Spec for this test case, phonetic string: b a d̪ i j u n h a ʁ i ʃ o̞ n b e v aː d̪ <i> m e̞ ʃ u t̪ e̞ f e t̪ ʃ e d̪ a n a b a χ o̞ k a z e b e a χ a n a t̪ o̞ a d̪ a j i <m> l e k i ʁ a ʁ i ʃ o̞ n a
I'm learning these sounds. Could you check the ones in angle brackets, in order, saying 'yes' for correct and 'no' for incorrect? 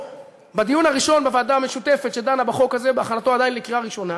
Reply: no, no

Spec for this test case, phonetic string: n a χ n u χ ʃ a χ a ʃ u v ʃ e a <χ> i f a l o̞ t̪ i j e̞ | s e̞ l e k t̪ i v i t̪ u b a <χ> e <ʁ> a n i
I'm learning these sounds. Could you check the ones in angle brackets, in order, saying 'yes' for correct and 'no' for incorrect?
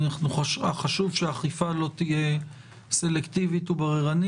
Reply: yes, no, yes

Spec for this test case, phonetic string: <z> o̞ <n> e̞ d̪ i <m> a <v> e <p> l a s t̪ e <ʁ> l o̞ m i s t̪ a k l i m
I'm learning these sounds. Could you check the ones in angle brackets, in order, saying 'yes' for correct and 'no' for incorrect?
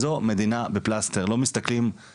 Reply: yes, no, no, no, yes, yes

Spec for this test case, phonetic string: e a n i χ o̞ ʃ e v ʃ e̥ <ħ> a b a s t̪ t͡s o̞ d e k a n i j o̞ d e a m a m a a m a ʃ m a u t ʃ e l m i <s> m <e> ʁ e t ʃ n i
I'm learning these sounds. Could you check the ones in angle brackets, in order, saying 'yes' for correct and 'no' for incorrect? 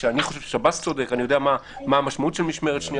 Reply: no, no, yes

